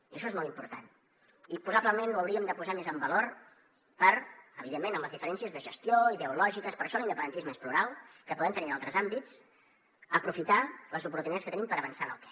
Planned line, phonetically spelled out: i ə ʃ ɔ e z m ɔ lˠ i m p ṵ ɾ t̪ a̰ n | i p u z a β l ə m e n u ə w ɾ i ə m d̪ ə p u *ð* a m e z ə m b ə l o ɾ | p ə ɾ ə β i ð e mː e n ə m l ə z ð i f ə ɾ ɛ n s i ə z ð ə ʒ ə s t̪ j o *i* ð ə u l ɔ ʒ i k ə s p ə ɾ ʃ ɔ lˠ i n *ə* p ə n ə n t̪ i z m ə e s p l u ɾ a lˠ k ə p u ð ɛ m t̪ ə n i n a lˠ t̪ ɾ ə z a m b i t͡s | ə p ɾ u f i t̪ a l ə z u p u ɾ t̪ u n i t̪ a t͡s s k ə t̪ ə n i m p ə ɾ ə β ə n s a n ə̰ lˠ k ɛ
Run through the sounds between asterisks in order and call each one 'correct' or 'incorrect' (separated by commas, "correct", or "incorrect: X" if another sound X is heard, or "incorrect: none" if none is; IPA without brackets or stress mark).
incorrect: z, correct, correct